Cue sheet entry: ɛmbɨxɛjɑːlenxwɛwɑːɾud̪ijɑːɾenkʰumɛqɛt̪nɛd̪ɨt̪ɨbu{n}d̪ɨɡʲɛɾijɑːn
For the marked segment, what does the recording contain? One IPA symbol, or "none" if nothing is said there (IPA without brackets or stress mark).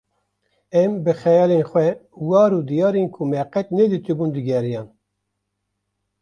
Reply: n